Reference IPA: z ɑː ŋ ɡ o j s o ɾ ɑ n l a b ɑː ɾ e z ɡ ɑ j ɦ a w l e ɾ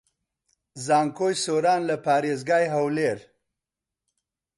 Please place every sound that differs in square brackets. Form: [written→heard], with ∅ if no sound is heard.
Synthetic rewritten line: z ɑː ŋ [ɡ→k] o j s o ɾ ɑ n l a [b→p] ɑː ɾ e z ɡ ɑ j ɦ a w l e ɾ